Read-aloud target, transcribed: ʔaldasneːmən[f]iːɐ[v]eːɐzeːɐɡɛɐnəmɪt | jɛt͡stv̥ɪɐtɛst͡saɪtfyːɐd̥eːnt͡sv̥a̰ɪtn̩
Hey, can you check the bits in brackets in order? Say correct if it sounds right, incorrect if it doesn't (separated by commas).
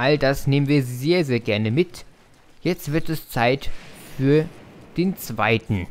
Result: incorrect, incorrect